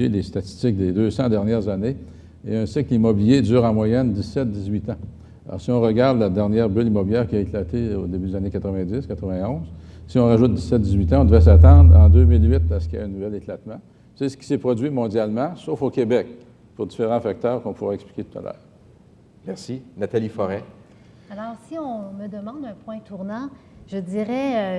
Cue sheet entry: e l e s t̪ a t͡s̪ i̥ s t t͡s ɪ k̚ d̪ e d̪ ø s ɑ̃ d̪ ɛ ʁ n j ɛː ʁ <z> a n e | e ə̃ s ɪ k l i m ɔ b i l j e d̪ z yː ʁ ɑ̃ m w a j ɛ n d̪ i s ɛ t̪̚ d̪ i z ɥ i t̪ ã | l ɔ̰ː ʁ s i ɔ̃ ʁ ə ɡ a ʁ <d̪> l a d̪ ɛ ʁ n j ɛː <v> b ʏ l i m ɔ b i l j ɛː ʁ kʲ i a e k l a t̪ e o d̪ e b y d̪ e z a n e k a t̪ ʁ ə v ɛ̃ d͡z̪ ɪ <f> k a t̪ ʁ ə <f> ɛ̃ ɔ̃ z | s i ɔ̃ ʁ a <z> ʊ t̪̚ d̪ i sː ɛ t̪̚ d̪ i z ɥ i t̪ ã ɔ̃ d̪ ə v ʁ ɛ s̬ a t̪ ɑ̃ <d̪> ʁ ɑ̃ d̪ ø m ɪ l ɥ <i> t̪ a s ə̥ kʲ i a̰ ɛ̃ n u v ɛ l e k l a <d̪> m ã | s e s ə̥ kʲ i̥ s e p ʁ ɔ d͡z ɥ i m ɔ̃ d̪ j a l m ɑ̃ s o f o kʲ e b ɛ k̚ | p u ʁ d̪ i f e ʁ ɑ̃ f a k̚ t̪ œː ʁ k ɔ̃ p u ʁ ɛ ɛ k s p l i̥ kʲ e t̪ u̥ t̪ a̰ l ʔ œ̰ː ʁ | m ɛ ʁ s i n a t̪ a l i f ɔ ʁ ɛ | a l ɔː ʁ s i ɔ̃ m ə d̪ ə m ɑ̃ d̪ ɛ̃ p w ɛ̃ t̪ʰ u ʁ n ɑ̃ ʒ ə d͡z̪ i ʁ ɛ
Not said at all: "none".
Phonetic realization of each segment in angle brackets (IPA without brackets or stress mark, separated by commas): z, d̪, ʁ, s, v, ʒ, d̪, ɪ, t̪